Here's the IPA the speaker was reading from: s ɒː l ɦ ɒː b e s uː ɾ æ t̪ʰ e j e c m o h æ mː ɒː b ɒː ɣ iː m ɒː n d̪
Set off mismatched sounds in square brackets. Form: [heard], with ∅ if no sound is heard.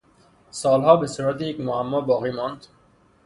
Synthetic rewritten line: s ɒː l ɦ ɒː b e s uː ɾ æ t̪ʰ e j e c m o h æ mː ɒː b ɒː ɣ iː m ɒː n d̪